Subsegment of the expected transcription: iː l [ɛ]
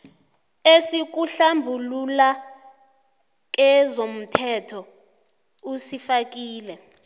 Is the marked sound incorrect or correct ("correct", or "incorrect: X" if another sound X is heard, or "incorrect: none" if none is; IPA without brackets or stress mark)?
correct